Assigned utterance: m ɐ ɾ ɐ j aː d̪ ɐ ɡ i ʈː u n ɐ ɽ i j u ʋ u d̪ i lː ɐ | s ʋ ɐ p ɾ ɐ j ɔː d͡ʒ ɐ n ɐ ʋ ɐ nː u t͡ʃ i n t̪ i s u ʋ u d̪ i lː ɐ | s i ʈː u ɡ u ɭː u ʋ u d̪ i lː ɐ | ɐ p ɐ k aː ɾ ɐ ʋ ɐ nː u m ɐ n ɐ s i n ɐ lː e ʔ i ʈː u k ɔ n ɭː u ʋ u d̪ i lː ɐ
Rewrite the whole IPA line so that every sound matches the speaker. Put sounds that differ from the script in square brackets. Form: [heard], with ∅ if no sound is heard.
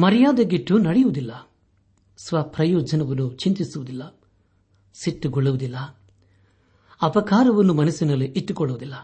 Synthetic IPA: m ɐ ɾ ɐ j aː d̪ ɐ ɡ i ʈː u n ɐ ɽ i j u ʋ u d̪ i lː ɐ | s ʋ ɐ p ɾ ɐ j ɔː d͡ʒ ɐ n ɐ ʋ ɐ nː u t͡ʃ i n t̪ i s u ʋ u d̪ i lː ɐ | s i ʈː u ɡ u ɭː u ʋ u d̪ i lː ɐ | ɐ p ɐ k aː ɾ ɐ ʋ ɐ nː u m ɐ n ɐ s i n ɐ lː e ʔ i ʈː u k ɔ [∅] ɭː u ʋ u d̪ i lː ɐ